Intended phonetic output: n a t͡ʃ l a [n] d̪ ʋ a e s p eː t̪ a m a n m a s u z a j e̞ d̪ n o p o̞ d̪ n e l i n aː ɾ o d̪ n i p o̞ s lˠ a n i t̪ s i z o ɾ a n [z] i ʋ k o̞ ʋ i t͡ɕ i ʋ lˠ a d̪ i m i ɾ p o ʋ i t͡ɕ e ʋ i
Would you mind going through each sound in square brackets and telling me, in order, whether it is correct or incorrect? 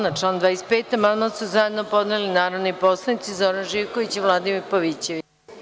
correct, incorrect: ʒ

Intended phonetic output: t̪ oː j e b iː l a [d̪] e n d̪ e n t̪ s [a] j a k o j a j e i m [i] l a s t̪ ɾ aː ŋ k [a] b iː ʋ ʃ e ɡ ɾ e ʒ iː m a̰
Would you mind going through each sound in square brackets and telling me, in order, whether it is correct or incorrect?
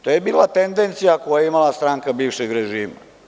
incorrect: t̪, incorrect: i, incorrect: a, correct

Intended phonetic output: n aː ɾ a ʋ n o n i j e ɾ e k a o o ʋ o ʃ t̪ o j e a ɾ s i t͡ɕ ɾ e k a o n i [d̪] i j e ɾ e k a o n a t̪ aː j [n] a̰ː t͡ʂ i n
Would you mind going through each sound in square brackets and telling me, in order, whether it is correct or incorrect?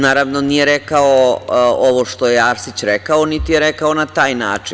incorrect: t̪, correct

